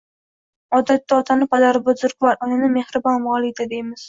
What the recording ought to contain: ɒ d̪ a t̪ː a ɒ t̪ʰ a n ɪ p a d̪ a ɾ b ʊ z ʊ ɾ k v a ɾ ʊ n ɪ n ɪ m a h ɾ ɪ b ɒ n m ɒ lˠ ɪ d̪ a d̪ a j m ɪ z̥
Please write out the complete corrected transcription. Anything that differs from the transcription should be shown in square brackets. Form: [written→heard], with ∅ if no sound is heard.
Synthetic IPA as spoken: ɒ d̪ a t̪ː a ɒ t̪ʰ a n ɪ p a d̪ a ɾ b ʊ z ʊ ɾ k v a ɾ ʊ n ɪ n ɪ m [a→e] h ɾ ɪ b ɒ n m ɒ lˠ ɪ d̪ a d̪ [a→e] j m ɪ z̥